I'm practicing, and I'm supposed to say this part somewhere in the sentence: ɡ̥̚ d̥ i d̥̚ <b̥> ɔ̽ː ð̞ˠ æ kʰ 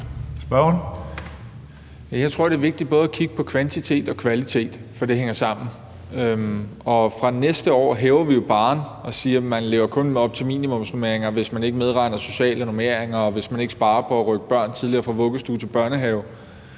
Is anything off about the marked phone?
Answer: no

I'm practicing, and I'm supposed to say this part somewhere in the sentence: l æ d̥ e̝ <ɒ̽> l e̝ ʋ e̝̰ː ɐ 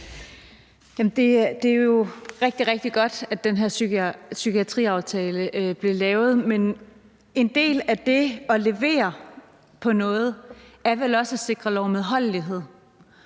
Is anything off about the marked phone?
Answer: no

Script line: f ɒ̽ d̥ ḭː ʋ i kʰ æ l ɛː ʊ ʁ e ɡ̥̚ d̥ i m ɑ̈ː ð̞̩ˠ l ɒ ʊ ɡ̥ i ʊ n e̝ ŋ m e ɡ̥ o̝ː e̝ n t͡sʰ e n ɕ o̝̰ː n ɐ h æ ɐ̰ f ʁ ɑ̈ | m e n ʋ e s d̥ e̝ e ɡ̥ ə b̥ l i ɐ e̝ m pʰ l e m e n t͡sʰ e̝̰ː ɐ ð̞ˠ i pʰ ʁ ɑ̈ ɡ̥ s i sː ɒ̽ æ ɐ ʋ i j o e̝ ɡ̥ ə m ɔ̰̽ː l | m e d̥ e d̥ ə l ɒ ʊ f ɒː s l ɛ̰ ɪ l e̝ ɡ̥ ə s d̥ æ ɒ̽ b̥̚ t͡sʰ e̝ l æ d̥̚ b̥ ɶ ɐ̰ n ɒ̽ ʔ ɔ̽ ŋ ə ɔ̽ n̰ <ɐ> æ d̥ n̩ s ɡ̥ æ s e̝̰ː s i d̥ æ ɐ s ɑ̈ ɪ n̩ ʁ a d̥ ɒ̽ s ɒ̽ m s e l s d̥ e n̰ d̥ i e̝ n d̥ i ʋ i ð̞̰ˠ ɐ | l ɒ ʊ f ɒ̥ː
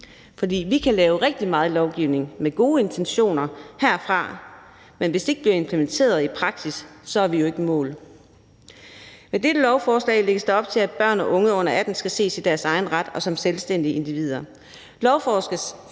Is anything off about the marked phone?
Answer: no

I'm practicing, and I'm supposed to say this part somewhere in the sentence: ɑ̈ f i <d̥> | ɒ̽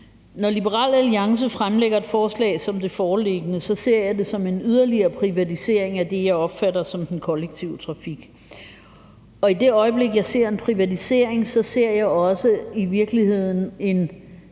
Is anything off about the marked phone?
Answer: yes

